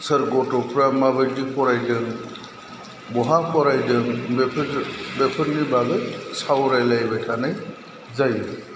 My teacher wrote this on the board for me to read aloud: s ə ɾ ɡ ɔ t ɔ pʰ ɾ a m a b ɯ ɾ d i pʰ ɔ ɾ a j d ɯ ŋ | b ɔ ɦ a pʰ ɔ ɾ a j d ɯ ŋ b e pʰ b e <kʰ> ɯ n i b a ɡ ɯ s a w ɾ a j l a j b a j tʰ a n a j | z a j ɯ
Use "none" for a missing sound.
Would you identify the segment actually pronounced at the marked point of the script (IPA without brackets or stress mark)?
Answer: pʰ